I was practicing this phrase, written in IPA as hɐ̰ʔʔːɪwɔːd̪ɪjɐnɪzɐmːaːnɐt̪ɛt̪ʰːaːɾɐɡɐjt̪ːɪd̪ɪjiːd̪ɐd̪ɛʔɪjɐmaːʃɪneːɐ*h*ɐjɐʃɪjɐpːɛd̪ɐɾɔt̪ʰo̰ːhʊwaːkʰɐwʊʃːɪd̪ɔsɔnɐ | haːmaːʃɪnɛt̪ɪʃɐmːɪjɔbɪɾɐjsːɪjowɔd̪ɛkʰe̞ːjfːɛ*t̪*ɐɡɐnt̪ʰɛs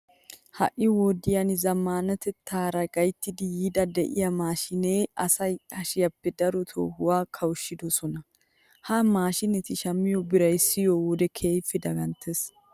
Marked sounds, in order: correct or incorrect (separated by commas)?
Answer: incorrect, incorrect